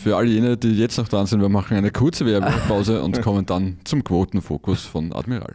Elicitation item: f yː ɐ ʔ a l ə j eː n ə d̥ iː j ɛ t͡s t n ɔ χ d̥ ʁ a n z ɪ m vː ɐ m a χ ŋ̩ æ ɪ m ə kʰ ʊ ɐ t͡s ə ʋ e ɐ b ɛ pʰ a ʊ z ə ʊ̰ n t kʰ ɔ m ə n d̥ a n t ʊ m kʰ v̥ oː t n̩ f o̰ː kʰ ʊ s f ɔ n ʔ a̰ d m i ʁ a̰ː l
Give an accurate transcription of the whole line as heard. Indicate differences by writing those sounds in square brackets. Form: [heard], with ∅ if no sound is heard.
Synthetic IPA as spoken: f yː ɐ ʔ a l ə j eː n ə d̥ iː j ɛ t͡s t n ɔ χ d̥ ʁ a n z ɪ [n] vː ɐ m a χ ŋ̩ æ ɪ [n] ə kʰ ʊ ɐ t͡s ə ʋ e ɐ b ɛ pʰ a ʊ z ə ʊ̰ n t kʰ ɔ m ə n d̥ a n [t͡s] ʊ m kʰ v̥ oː t n̩ f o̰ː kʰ ʊ s f ɔ n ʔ a̰ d m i ʁ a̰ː l